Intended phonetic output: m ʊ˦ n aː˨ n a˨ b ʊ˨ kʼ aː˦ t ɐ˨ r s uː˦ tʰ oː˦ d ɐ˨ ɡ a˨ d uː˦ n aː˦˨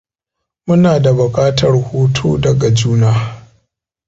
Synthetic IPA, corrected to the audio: m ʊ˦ n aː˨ d a˨ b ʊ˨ kʼ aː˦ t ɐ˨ r h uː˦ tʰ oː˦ d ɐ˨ ɡ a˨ d͡ʒ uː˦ n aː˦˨